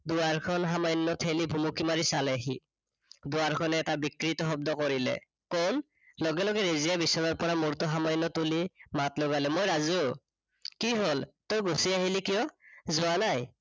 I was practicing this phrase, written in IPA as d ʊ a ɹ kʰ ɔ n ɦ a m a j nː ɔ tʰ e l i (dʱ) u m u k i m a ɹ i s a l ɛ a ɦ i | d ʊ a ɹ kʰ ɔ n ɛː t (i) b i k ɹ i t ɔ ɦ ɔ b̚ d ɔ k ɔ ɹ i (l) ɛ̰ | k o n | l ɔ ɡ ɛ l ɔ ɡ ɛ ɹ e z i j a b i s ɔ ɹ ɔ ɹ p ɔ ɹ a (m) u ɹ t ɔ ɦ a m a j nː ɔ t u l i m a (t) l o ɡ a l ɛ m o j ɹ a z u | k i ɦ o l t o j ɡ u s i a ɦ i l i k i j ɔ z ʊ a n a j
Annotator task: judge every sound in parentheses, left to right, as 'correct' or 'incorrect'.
incorrect: bʱ, incorrect: a, correct, correct, correct

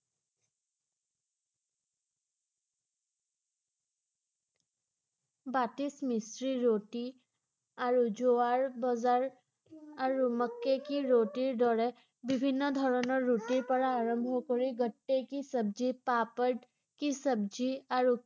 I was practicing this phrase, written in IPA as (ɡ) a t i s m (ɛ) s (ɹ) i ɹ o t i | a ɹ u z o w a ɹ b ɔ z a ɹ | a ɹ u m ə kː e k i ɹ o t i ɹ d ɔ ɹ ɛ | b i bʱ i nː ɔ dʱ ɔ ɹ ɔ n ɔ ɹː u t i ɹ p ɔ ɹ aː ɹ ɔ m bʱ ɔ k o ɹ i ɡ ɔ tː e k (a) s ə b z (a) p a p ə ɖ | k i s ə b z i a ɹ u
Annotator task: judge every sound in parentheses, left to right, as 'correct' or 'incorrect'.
incorrect: b, incorrect: i, correct, incorrect: i, incorrect: i

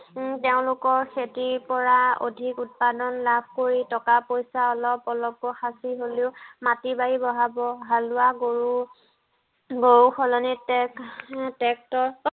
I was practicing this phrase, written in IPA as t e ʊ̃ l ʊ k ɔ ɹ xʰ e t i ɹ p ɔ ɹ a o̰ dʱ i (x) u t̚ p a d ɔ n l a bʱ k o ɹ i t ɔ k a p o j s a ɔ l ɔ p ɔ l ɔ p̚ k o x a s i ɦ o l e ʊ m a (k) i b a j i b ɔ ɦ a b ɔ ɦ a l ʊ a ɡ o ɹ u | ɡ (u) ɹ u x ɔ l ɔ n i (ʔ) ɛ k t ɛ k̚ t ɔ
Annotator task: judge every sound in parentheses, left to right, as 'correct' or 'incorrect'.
incorrect: k, incorrect: t, incorrect: o, incorrect: t

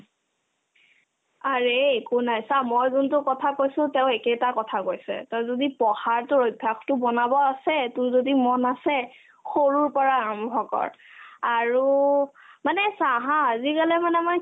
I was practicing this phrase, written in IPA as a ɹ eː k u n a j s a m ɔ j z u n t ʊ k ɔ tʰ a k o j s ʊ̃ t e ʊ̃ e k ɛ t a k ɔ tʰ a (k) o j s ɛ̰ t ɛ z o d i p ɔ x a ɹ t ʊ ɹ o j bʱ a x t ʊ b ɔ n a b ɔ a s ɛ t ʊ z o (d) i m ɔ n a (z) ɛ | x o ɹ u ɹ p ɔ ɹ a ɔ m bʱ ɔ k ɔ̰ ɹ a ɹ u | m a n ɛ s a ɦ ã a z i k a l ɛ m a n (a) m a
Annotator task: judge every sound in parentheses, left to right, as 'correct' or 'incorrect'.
correct, correct, incorrect: s, incorrect: ɛ

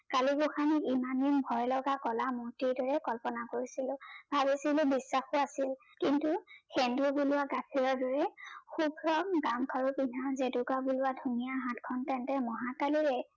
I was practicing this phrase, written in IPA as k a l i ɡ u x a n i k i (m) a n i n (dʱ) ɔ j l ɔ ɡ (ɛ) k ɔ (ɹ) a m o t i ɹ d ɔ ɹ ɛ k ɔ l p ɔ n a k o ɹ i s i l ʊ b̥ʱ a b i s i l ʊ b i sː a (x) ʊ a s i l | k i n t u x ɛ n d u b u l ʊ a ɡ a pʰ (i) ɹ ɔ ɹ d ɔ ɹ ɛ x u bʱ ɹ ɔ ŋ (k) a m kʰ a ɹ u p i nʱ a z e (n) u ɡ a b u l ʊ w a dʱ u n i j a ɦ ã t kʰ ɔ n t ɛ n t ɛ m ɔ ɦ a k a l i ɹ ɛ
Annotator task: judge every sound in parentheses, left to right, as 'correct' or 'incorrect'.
correct, incorrect: bʱ, incorrect: a, incorrect: l, correct, correct, incorrect: ɡ, incorrect: d

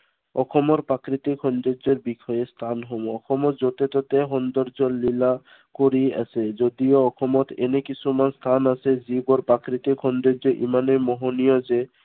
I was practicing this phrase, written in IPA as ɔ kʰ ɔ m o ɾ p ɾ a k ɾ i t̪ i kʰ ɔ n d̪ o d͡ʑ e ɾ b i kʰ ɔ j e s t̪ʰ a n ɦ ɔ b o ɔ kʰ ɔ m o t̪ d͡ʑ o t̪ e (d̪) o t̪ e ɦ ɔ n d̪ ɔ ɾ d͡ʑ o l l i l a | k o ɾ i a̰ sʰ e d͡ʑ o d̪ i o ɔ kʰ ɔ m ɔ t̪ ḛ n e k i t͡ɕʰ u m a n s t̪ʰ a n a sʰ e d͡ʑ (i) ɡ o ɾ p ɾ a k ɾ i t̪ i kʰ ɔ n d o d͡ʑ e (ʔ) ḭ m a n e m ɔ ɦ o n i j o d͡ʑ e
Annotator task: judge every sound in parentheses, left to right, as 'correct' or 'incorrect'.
incorrect: t̪, correct, correct

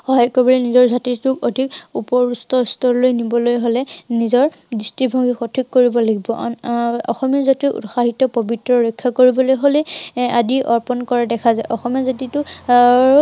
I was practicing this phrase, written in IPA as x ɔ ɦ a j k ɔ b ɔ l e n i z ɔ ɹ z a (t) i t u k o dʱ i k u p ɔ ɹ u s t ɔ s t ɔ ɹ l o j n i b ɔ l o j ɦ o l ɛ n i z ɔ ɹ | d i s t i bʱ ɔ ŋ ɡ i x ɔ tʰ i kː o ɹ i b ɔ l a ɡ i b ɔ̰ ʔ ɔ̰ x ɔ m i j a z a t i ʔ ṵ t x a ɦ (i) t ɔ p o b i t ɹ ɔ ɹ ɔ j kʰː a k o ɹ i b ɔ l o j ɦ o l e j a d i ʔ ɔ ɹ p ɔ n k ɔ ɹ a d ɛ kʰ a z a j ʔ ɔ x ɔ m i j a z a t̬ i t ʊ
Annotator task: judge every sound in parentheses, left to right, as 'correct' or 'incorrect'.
correct, correct

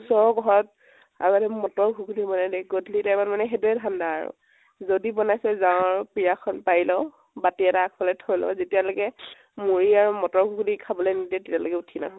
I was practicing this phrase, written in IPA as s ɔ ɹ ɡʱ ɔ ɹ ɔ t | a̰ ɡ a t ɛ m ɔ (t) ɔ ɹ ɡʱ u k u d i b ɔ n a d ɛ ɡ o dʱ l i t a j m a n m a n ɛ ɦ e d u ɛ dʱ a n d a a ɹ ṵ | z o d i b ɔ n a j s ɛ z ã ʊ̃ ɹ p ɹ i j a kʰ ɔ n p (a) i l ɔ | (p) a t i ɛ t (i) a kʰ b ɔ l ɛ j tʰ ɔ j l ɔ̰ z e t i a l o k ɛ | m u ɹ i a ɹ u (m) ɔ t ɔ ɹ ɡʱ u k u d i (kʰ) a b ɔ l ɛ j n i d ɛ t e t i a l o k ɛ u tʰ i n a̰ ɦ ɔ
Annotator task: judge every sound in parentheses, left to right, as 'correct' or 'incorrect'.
correct, correct, incorrect: b, incorrect: a, correct, correct

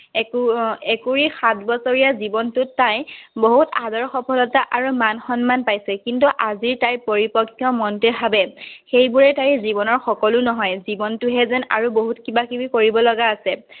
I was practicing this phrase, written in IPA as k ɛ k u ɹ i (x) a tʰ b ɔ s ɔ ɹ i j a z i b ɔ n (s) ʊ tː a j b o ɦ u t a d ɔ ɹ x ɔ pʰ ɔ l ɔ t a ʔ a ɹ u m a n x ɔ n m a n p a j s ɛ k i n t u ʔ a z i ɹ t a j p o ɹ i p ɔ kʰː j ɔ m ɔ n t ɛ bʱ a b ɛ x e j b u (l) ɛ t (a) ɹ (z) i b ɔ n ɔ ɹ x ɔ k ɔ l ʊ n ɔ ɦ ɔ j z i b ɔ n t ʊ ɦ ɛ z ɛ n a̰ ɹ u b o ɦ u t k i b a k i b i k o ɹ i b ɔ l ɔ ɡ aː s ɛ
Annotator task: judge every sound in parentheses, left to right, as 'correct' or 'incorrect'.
correct, incorrect: t, incorrect: ɹ, correct, correct

